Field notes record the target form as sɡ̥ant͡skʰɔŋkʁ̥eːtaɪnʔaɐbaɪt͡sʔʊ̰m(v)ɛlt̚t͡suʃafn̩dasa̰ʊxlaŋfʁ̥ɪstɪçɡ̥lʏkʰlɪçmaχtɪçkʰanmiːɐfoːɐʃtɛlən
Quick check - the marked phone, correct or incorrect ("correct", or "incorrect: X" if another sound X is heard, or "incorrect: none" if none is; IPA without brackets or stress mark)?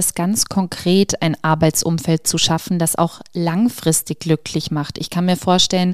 incorrect: f